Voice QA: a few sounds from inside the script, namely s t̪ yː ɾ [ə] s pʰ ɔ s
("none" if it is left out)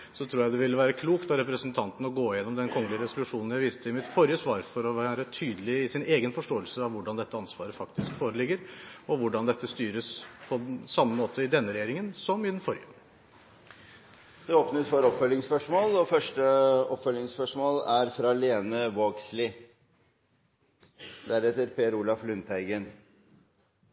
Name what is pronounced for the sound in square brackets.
ə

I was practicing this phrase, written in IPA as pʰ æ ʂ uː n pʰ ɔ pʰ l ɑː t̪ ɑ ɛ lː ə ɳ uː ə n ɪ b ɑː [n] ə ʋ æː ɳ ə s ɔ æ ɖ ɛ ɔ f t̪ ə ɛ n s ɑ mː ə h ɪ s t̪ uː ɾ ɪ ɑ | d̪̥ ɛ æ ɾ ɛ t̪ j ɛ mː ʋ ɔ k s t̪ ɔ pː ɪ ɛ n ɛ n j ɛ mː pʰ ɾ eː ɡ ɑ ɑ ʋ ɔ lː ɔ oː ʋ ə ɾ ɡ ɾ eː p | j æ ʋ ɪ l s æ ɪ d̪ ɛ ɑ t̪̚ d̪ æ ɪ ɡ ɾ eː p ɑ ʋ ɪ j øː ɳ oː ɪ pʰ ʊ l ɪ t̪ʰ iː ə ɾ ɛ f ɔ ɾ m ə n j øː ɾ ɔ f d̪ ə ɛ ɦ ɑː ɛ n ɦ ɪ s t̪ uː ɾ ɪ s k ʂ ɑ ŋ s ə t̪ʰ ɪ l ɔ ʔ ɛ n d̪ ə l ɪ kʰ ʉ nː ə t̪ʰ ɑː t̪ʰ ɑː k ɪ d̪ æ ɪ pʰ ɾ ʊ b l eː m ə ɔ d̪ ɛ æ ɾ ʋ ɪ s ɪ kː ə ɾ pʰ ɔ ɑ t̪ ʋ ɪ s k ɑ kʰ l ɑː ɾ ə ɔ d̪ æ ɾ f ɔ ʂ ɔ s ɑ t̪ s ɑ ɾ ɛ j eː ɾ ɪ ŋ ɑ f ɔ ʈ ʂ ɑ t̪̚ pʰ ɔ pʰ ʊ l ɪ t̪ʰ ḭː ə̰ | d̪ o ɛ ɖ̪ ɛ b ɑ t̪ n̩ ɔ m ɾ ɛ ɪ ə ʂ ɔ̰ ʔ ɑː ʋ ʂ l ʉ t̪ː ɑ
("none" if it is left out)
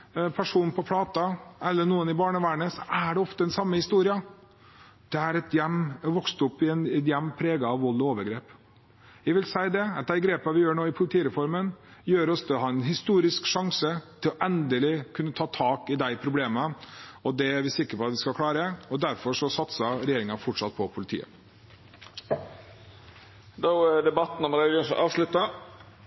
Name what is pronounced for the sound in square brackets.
ɳ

